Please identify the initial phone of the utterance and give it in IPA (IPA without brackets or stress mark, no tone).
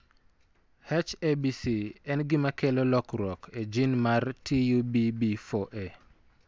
h